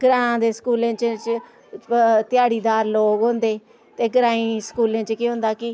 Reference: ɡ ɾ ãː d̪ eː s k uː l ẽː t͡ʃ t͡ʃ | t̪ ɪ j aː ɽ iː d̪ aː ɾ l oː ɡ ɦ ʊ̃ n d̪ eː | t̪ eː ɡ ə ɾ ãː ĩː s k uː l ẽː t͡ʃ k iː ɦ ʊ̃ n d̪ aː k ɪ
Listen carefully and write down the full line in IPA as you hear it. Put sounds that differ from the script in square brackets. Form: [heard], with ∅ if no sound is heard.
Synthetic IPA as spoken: ɡ ɾ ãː d̪ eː s k uː l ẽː t͡ʃ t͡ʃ | t̪ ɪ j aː ɽ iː d̪ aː ɾ l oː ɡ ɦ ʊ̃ n d̪ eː | t̪ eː ɡ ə ɾ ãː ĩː s k uː l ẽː t͡ʃ k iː ɦ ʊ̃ n d̪ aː k ɪ